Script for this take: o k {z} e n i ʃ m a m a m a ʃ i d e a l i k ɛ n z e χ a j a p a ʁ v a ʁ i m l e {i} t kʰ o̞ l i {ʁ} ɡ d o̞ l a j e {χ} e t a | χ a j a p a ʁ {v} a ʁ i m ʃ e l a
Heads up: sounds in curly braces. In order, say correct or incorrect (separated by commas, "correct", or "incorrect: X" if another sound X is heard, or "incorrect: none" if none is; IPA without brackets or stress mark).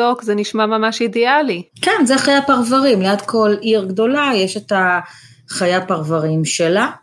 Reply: correct, incorrect: a, correct, incorrect: ʃ, correct